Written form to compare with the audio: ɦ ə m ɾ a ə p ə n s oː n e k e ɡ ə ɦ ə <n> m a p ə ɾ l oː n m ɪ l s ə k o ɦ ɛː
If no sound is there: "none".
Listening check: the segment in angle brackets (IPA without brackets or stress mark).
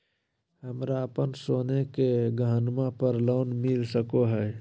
n